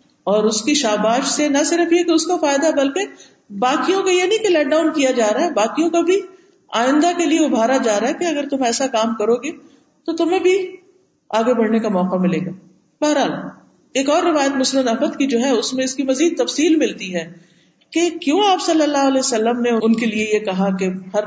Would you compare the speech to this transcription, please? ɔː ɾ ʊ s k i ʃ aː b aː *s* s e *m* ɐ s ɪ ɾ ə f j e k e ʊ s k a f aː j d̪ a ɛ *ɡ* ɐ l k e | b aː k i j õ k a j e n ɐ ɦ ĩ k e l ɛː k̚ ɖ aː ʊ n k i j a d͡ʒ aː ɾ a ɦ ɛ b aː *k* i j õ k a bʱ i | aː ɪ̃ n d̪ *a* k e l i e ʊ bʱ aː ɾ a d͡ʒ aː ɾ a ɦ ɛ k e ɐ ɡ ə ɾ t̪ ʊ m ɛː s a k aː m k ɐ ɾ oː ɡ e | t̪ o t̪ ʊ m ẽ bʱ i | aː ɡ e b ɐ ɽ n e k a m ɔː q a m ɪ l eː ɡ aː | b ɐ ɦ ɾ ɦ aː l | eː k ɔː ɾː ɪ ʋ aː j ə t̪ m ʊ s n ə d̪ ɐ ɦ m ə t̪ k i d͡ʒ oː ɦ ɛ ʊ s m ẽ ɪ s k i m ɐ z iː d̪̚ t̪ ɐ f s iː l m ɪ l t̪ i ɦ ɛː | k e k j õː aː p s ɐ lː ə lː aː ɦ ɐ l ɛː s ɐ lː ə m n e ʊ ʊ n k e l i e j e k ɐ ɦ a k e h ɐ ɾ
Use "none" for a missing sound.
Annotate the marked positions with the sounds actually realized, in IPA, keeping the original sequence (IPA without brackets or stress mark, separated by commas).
ʃ, n, b, k, a